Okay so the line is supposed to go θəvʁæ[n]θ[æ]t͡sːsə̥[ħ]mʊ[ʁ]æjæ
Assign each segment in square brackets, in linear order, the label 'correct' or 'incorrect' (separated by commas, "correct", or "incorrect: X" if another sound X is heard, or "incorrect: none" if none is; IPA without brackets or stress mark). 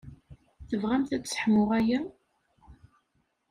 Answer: incorrect: m, correct, correct, correct